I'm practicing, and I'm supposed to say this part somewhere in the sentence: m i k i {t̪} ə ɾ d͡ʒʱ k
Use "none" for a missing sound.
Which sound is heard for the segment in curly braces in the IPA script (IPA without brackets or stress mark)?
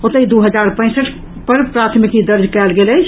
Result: d̪